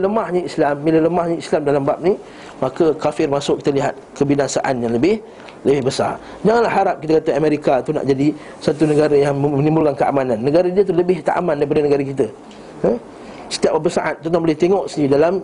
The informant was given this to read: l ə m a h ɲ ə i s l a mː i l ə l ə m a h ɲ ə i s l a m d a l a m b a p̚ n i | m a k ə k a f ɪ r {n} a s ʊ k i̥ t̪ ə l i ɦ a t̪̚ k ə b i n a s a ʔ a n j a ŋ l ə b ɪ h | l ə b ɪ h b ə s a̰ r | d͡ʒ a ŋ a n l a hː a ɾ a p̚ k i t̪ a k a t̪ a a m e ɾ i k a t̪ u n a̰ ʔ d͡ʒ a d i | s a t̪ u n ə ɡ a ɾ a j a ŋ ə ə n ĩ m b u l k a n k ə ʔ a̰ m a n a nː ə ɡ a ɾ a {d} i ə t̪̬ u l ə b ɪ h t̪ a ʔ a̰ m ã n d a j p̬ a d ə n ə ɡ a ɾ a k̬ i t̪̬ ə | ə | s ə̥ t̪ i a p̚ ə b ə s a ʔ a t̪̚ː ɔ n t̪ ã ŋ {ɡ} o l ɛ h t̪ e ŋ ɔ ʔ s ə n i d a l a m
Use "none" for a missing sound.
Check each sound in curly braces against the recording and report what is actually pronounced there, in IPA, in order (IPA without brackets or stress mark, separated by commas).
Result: m, d, b